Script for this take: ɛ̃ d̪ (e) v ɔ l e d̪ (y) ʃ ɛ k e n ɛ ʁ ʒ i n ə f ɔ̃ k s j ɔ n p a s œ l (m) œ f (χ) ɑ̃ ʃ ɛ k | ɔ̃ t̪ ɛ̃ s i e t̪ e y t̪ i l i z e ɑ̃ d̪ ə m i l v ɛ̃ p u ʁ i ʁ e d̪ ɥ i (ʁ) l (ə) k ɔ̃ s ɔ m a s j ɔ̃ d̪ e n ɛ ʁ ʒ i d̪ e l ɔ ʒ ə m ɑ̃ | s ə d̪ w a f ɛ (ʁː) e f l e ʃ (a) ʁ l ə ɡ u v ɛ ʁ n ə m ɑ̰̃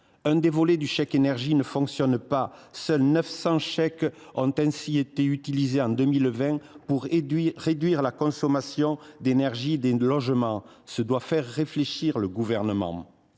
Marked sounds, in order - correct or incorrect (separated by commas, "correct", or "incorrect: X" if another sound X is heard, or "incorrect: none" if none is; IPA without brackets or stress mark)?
correct, correct, incorrect: n, incorrect: s, correct, incorrect: a, correct, incorrect: i